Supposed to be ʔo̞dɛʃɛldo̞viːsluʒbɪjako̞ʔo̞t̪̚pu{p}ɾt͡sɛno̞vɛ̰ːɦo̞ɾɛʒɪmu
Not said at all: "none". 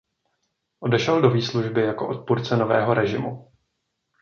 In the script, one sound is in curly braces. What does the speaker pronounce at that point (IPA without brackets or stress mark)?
none